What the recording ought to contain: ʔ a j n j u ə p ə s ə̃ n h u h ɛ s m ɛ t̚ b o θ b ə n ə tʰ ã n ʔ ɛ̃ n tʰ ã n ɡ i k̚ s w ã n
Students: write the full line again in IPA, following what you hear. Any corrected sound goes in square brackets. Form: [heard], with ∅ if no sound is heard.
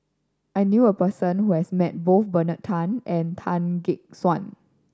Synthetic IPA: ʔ a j n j u ə p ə s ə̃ n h u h ɛ s m ɛ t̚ b o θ b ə n ə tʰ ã n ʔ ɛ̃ n tʰ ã n ɡ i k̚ s w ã n